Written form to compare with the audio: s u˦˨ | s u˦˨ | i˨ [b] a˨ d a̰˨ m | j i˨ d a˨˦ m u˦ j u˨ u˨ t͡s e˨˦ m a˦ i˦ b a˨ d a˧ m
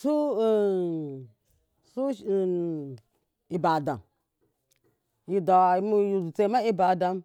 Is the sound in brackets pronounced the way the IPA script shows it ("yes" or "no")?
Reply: yes